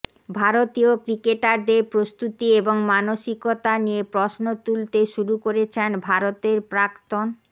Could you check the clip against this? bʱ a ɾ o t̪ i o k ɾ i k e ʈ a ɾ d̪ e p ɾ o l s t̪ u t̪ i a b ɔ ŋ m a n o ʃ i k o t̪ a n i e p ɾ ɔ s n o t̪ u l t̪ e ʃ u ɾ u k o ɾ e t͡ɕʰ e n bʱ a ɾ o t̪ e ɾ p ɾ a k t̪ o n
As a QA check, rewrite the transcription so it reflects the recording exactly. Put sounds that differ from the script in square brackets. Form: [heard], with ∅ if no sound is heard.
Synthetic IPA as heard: bʱ a ɾ o t̪ i o k ɾ i k e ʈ a ɾ d̪ e p ɾ o [∅] s t̪ u t̪ i [e] b [o] ŋ m a n o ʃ i k o t̪ a n i e p ɾ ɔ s n o t̪ u l t̪ e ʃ u ɾ u k o ɾ e t͡ɕʰ e n bʱ a ɾ o t̪ e ɾ p ɾ a k t̪ o n